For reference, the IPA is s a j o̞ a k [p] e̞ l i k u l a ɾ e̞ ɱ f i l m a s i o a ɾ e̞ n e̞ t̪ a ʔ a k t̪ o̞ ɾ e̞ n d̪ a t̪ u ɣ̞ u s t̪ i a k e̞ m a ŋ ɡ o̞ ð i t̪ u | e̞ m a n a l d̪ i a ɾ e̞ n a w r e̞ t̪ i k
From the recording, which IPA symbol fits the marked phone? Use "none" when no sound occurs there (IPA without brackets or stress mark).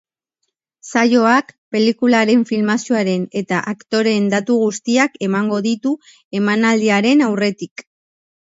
p